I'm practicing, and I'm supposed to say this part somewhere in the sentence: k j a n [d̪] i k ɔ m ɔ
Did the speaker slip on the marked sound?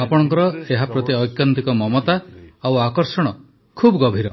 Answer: yes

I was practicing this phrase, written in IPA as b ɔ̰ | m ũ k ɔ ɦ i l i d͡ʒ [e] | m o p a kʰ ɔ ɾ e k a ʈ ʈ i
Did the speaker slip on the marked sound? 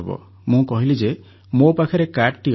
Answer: no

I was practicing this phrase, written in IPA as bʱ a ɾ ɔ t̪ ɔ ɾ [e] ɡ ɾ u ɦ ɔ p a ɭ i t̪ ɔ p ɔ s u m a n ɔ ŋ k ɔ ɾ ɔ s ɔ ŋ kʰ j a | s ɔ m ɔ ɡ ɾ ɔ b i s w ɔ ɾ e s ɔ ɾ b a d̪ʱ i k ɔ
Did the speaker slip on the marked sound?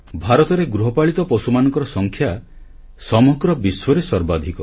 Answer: no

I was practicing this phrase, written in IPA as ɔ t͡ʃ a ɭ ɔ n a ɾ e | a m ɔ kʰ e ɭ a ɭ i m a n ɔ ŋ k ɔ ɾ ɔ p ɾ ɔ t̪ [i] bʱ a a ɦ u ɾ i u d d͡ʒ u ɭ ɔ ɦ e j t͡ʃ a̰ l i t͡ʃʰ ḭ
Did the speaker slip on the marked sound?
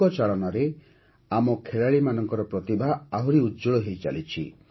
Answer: no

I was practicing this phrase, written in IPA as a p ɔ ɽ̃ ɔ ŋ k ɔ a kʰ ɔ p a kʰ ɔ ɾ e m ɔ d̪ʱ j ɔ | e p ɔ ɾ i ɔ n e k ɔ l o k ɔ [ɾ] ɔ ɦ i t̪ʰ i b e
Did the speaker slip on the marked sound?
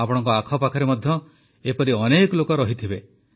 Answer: no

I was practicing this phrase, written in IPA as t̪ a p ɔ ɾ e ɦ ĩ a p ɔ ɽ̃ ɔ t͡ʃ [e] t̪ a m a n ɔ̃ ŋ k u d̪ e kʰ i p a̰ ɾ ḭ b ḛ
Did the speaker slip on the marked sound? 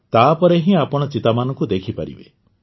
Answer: yes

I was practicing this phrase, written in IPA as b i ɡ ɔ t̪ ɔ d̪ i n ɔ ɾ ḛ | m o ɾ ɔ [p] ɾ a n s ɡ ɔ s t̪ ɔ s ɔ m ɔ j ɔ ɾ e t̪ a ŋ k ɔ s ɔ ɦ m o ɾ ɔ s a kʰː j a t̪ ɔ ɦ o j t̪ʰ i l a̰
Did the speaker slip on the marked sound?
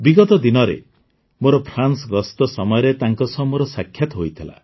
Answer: yes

